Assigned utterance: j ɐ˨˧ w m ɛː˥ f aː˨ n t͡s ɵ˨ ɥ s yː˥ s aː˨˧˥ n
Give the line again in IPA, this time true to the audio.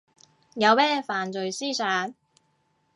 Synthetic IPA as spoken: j ɐ˨˧ w m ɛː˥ f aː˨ n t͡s ɵ˨ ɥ s iː˥ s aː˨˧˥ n

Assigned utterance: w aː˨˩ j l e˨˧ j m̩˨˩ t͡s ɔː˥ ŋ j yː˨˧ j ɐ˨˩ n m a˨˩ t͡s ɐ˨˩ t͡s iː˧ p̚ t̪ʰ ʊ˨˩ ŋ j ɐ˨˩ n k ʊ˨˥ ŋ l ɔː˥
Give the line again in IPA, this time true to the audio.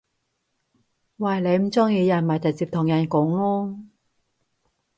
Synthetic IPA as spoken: w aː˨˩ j l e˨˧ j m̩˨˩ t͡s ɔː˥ ŋ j iː˨˧ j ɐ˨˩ n m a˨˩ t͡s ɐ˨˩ t͡s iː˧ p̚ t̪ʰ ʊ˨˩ ŋ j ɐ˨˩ n k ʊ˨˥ ŋ l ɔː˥

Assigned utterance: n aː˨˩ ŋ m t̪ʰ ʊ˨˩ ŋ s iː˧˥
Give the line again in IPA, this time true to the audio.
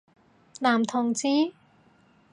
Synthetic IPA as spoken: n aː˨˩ m t̪ʰ ʊ˨˩ ŋ t͡s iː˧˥

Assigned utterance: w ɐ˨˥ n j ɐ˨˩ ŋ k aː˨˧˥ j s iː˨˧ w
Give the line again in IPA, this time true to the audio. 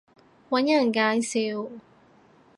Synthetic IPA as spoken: w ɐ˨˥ n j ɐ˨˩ n k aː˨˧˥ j s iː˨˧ w

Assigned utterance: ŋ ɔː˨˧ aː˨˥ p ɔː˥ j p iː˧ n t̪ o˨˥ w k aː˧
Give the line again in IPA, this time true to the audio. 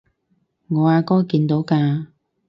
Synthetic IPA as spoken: ŋ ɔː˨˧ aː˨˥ k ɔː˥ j k iː˧ n t̪ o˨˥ w k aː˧

